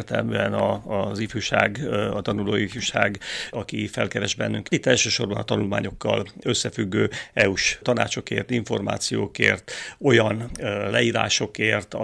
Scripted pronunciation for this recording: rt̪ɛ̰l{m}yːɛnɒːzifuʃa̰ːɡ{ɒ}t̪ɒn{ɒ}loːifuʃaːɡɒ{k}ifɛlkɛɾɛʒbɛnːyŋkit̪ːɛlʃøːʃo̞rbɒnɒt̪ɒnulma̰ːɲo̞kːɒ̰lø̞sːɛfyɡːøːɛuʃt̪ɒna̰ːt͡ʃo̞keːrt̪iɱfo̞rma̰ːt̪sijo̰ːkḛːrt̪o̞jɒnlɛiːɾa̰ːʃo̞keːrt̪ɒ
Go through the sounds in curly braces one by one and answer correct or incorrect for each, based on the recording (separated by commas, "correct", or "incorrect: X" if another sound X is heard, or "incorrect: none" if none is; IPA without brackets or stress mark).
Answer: correct, correct, incorrect: u, correct